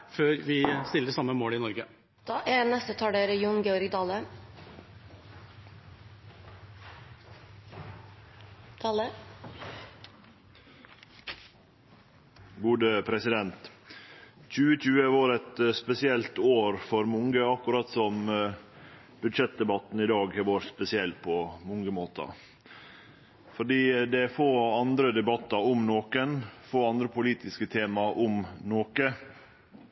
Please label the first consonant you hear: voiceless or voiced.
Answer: voiceless